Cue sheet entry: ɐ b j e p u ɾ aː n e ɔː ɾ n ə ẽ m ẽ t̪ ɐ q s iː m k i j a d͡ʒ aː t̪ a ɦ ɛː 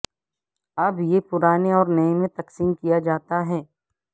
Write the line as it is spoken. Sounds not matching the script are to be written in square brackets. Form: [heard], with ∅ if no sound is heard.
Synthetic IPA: ɐ b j e p [ʊ] ɾ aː n e ɔː ɾ n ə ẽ m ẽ t̪ ɐ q s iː m k i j a d͡ʒ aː t̪ a ɦ ɛː